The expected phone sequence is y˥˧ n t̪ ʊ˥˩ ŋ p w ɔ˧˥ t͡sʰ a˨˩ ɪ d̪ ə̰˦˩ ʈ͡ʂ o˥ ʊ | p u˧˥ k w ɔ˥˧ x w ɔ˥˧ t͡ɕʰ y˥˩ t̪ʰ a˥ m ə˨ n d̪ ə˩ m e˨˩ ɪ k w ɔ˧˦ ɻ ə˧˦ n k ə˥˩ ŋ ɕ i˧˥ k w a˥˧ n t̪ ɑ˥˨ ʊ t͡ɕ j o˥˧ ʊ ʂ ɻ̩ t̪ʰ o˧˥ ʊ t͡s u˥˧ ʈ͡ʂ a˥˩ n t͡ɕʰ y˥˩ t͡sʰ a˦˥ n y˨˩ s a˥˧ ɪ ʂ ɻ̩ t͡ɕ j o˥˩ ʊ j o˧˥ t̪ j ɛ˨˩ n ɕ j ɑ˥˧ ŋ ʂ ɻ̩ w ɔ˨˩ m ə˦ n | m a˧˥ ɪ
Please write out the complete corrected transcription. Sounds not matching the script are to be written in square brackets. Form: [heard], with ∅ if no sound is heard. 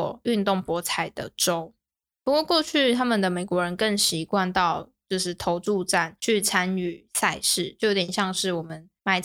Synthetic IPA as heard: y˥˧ n t̪ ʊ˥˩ ŋ p w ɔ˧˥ t͡sʰ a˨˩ ɪ d̪ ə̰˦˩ ʈ͡ʂ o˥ ʊ | p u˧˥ k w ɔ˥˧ [k] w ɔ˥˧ t͡ɕʰ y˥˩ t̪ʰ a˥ m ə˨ n d̪ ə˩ m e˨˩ ɪ k w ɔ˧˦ ɻ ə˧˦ n k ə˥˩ ŋ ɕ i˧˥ k w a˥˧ n t̪ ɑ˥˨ ʊ t͡ɕ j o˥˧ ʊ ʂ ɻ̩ t̪ʰ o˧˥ ʊ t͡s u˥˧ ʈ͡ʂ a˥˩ n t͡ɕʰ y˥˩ t͡sʰ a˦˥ n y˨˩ s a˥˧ ɪ ʂ ɻ̩ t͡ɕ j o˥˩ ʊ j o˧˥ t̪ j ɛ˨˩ n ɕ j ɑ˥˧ ŋ ʂ ɻ̩ w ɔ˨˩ m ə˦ n | m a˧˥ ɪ